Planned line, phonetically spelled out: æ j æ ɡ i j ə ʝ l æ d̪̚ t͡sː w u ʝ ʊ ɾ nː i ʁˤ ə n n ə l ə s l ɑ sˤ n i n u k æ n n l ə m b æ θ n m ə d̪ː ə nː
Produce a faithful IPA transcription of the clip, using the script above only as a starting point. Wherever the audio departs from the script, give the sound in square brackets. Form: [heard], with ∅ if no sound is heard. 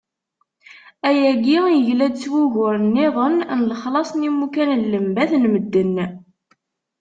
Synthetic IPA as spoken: æ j æ ɡ i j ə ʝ l æ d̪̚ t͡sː w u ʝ ʊ ɾ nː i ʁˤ ə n n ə l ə [χ] l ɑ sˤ n i [m] u k æ n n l ə m b æ θ n m ə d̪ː ə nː

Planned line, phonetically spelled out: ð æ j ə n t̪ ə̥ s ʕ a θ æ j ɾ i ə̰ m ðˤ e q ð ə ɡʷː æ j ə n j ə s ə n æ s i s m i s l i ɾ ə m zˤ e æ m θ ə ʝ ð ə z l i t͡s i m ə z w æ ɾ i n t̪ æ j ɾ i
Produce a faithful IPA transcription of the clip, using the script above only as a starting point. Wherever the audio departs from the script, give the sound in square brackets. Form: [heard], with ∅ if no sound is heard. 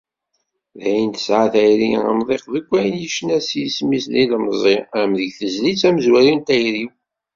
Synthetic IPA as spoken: ð æ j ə n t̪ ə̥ s ʕ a θ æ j ɾ i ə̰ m ðˤ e q ð ə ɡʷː æ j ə n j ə [ʃ] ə n æ s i s m i s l i [l] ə m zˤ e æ m [ð] ə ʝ [θ] ə z l i t͡s [æ] m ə z w æ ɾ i n t̪ æ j ɾ i

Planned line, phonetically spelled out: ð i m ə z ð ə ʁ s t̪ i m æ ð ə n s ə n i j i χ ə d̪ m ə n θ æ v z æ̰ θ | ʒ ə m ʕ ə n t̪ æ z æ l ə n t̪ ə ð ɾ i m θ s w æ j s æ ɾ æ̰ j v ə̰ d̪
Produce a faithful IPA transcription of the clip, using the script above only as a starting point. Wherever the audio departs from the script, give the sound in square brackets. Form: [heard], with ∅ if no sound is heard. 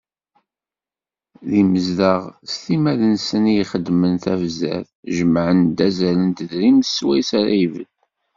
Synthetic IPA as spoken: ð i m ə z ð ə ʁ s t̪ i m æ ð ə n s ə n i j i χ ə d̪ m ə n θ æ v z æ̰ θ | ʒ ə m ʕ ə n [d̪] æ z æ l ə n t̪ ə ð ɾ i m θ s w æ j s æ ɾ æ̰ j v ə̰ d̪

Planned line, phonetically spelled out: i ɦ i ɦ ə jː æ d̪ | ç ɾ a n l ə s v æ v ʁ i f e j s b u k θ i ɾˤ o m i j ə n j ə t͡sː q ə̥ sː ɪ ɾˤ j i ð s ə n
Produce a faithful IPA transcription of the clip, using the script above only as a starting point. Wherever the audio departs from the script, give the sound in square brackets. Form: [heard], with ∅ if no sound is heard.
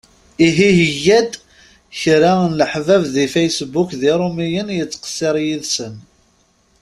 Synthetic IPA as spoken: i ɦ i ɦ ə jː æ d̪ | ç ɾ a n l ə [ħ] v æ v [ð] i f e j s b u k [ð] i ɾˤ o m i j ə n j ə t͡sː q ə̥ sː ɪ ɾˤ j i ð s ə n

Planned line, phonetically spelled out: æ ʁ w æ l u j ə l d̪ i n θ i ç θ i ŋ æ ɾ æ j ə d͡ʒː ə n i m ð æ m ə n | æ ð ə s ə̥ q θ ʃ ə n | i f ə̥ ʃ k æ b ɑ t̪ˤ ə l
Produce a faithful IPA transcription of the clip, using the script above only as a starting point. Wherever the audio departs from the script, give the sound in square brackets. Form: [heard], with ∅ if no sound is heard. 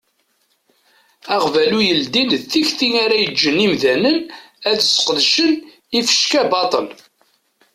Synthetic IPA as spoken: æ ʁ [v] æ l u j ə l d̪ i n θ i ç θ i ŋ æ ɾ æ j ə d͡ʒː ə n i m ð æ [n] ə n | æ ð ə s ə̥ q [ð] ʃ ə n | i f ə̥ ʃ k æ b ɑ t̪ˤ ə l

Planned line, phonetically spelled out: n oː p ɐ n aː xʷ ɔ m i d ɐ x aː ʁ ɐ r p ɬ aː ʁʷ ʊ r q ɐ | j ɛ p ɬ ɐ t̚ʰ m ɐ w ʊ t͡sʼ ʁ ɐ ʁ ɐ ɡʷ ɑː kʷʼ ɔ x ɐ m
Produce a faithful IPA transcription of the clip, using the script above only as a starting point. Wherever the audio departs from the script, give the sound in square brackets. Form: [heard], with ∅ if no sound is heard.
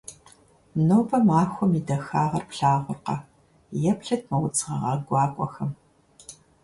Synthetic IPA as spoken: n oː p ɐ [m] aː xʷ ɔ m i d ɐ x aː ʁ ɐ r p ɬ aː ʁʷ ʊ r q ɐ | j ɛ p ɬ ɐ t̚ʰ m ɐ w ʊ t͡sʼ ʁ ɐ ʁ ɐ ɡʷ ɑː kʷʼ ɔ x ɐ m

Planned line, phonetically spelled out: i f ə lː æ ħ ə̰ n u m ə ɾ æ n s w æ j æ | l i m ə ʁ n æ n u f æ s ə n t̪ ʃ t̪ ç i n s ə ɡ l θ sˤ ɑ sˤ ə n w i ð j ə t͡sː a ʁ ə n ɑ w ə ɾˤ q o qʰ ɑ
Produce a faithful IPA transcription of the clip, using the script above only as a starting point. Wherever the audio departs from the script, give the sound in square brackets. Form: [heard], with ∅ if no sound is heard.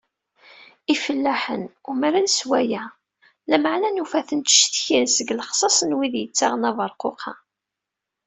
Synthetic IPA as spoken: i f ə lː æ ħ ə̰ n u m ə ɾ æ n s w æ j æ | l [æ] m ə [ʕ] n æ n u f æ [θ] ə n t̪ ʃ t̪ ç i n s ə ɡ l [χ] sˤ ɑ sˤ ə n w i ð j ə t͡sː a ʁ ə n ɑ [v] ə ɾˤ q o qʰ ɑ

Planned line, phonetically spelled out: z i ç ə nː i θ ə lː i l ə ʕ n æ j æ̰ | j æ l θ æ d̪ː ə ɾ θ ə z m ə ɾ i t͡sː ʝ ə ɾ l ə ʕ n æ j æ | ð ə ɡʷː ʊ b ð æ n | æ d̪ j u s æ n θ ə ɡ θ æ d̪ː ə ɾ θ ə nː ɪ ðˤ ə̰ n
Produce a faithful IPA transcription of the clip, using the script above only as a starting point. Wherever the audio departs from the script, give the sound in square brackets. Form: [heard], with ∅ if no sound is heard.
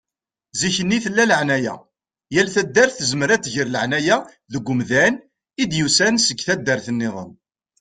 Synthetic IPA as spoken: z i ç ə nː i θ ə lː [æ] l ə ʕ n æ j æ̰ | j æ l θ æ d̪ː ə ɾ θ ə z m ə ɾ [æ] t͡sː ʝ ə ɾ l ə ʕ n æ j æ | ð ə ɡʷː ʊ [m] ð æ n | [i] d̪ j u s æ n [s] ə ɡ θ æ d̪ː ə ɾ θ ə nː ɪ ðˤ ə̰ n

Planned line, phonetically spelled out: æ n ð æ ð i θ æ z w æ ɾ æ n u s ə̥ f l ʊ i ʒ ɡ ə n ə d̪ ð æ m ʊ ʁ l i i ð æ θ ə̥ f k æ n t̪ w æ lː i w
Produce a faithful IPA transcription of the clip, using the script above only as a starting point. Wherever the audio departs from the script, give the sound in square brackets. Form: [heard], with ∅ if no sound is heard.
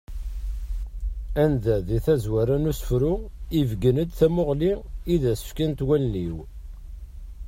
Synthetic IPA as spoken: æ n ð æ ð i θ æ z w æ ɾ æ n u s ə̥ f [ɾ] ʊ i [v] ɡ ə n ə d̪ [θ] æ m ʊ ʁ l i i ð æ [s] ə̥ f k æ n t̪ w æ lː i w

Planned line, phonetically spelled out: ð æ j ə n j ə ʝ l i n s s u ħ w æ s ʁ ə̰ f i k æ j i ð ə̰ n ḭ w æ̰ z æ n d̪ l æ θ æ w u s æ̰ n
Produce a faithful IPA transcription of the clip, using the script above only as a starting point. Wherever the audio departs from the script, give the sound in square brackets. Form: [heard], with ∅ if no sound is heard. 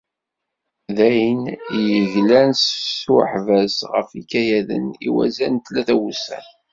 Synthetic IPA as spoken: ð æ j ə n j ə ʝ l [æ] n s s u ħ [v] æ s ʁ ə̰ f i k æ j [æ] ð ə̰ n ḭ w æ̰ z æ n [t̪] l æ θ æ w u s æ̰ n

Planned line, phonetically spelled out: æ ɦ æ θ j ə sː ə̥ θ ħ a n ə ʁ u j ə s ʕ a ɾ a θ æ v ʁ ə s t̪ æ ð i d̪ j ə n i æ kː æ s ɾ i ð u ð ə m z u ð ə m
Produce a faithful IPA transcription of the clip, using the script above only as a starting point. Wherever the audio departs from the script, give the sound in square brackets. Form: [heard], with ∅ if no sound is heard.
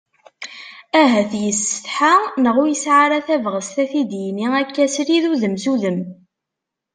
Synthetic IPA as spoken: æ ɦ æ θ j ə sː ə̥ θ ħ a n ə ʁ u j ə s ʕ a ɾ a θ æ v ʁ ə s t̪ æ [θ] i d̪ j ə n i æ kː æ s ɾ i ð u ð ə m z u ð ə m

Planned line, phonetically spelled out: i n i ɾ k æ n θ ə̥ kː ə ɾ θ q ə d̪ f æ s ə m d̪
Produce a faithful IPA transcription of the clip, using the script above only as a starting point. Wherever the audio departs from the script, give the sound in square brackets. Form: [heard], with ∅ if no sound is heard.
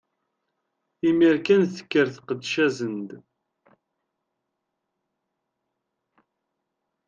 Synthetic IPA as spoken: i [m] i ɾ k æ n θ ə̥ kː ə ɾ θ q ə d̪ [ʃ] æ [z] ə [n] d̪

